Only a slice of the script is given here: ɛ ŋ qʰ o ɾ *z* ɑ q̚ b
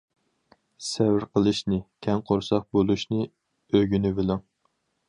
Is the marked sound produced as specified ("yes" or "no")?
no